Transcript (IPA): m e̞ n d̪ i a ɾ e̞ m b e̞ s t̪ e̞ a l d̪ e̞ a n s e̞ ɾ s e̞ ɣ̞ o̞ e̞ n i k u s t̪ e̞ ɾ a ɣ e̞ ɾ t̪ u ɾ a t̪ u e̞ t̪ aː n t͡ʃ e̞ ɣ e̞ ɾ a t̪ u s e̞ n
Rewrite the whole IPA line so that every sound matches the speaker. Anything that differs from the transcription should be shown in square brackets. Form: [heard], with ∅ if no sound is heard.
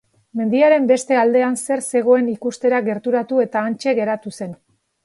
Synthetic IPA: m e̞ n d̪ i a ɾ e̞ m b e̞ s t̪ e̞ a l d̪ e̞ a n s e̞ ɾ s e̞ ɣ̞ o̞ e̞ n i k u s t̪ e̞ ɾ a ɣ e̞ ɾ t̪ u ɾ a t̪ u e̞ t̪ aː n t͡ʃ e̞ ɣ e̞ ɾ a t̪ u s e̞ n